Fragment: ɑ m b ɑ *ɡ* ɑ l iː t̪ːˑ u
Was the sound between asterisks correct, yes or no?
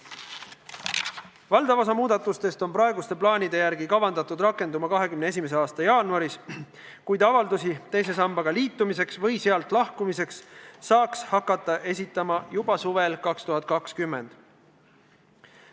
yes